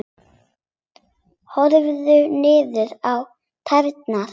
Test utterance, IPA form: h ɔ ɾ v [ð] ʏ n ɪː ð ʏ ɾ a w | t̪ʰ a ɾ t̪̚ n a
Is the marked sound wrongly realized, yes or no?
no